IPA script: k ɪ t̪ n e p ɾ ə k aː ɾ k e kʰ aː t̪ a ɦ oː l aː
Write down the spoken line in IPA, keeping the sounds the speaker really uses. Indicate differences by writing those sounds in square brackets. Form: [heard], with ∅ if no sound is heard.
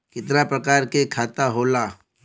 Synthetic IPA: k ɪ t̪ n [a] p ɾ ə k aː ɾ k e kʰ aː t̪ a ɦ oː l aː